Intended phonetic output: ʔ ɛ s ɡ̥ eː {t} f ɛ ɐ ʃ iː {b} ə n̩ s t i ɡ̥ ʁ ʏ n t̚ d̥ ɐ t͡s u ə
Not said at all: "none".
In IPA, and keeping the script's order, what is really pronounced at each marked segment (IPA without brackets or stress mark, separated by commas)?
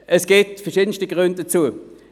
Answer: t, d